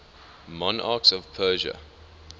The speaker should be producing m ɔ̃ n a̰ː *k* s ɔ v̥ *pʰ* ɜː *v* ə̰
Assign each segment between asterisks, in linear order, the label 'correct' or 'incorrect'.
correct, correct, incorrect: ʒ

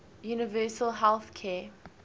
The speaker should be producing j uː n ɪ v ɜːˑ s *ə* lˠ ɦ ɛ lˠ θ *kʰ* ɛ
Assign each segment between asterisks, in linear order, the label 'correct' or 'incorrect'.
correct, correct

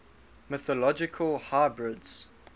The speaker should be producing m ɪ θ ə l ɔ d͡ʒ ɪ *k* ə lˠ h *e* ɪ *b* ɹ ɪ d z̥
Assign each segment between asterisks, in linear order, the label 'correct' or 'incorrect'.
incorrect: kʰ, incorrect: a, correct

